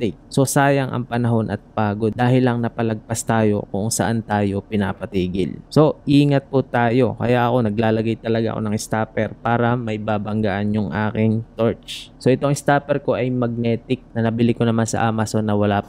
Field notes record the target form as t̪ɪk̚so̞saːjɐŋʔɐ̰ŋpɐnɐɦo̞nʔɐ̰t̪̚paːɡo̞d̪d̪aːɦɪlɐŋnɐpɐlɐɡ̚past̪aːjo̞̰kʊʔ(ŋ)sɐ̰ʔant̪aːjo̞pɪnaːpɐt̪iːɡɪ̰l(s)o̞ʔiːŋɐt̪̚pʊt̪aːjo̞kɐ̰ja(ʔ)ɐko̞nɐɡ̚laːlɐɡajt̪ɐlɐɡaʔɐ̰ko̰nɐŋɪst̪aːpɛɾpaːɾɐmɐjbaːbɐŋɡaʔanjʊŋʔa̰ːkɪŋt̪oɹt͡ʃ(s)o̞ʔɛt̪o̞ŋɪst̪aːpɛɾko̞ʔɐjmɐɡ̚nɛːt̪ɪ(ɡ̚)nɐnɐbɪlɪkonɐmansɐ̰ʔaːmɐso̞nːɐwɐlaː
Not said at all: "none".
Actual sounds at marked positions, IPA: ŋ, s, ʔ, s, k̚

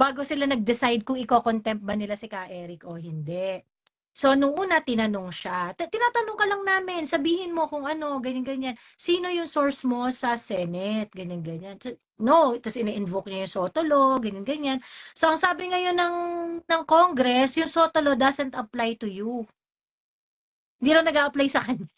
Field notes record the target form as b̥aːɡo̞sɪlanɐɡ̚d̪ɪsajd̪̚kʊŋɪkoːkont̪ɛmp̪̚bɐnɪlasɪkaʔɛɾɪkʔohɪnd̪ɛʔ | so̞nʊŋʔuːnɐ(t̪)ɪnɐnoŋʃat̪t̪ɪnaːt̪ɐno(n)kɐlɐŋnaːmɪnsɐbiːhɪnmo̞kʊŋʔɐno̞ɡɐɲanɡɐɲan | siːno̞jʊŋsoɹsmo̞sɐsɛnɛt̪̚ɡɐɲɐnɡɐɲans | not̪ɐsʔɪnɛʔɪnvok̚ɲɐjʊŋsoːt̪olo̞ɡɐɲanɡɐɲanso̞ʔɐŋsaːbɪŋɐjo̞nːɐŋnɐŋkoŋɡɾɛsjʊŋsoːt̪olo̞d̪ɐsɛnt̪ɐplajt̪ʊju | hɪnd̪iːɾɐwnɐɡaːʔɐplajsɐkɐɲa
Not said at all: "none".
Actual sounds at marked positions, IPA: t̪, ŋ

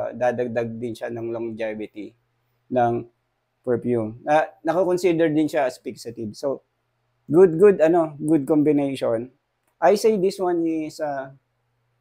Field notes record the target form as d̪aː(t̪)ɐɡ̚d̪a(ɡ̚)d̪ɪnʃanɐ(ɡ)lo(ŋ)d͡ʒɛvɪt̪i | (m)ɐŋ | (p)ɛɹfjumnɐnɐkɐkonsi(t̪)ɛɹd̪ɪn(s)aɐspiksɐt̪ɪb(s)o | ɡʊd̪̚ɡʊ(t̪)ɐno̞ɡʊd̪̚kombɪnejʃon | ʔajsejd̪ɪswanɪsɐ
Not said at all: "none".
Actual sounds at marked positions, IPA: d̪, ɡ̚, ŋ, ŋ, n, p, d̪, ʃ, s, d̪

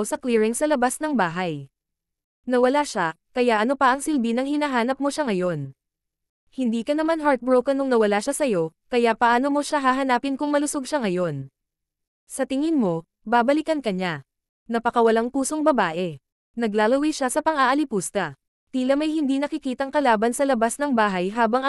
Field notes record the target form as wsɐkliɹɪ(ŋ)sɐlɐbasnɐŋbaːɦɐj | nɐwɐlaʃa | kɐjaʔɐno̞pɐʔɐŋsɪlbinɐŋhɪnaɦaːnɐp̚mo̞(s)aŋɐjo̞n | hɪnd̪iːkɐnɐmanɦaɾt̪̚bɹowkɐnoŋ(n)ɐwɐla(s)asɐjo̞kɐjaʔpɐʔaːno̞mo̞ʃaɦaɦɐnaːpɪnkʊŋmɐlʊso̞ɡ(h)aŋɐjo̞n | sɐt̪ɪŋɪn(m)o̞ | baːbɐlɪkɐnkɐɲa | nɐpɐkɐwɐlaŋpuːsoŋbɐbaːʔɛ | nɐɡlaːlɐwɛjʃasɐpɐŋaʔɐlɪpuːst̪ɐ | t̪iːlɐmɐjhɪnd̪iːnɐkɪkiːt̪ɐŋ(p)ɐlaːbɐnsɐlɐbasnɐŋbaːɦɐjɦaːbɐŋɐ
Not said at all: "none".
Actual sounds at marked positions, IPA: ŋ, ʃ, n, ʃ, ʃ, m, k

